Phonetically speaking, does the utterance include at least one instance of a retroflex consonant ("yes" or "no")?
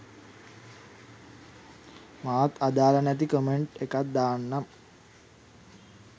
yes